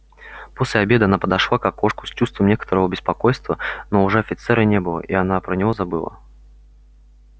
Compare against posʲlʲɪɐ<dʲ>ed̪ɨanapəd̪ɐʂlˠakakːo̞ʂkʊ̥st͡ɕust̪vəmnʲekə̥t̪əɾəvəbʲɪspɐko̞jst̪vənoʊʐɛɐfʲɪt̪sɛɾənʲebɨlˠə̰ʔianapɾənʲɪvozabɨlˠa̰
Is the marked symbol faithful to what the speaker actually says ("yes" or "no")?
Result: no